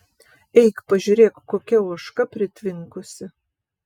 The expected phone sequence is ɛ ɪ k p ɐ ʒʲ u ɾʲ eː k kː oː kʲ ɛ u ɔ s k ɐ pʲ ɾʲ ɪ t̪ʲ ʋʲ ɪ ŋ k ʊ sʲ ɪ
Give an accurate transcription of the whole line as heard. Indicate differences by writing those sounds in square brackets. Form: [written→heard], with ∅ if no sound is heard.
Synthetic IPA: ɛ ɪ k p ɐ ʒʲ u ɾʲ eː k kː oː kʲ ɛ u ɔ [s→ʃ] k ɐ pʲ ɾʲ ɪ t̪ʲ ʋʲ ɪ ŋ k ʊ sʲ ɪ